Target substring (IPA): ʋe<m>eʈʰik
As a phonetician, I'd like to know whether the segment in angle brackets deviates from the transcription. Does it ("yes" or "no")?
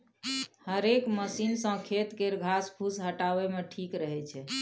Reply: no